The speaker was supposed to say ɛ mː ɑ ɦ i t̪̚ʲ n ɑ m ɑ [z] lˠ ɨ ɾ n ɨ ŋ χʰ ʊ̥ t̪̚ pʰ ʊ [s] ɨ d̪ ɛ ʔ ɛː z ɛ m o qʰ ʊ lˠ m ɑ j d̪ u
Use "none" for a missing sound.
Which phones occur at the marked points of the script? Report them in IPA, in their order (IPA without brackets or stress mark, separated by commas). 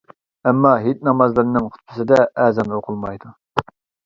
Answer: z, s